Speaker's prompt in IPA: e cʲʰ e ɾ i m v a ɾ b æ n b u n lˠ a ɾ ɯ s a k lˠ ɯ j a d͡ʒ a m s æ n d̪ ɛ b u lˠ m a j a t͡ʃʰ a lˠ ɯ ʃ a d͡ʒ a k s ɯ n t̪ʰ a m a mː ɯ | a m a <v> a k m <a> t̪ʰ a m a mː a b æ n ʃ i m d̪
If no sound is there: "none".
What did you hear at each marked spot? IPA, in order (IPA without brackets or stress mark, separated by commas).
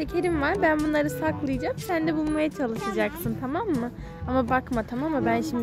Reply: b, a